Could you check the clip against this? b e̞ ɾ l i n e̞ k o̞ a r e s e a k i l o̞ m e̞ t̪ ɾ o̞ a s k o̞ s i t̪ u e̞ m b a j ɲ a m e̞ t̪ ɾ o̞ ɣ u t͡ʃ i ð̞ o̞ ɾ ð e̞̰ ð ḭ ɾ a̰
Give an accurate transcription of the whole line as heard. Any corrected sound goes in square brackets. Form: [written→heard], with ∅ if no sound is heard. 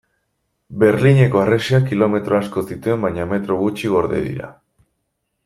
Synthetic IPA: b e̞ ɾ l i [n→ɲ] e̞ k o̞ a r e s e a k i l o̞ m e̞ t̪ ɾ o̞ a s k o̞ s i t̪ u e̞ m b a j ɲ a m e̞ t̪ ɾ o̞ ɣ u t͡ʃ i [ð̞→ɣ̞] o̞ ɾ ð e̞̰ ð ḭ ɾ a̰